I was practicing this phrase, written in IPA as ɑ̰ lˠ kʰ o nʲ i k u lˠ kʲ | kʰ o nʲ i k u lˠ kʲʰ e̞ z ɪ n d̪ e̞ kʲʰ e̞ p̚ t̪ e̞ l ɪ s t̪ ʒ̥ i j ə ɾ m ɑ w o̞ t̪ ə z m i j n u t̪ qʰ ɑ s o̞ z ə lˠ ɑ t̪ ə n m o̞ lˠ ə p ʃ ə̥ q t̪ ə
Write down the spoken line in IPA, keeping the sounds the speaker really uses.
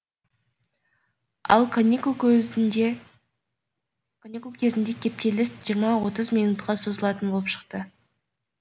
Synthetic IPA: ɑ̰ lˠ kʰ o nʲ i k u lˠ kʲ | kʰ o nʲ i k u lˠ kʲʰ e̞ z ɪ n d̪ e̞ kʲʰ e̞ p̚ t̪ e̞ l ɪ s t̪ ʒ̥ i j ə ɾ m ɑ w o̞ t̪ ə z m i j n u t̪ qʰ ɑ s o̞ z ə lˠ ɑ t̪ ə n b o̞ lˠ ə p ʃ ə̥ q t̪ ə